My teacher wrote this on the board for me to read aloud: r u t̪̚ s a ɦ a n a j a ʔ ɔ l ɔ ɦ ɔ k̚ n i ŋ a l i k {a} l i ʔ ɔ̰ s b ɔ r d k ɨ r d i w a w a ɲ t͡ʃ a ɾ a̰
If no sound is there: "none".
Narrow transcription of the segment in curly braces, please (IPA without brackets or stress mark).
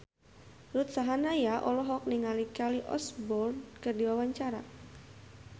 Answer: a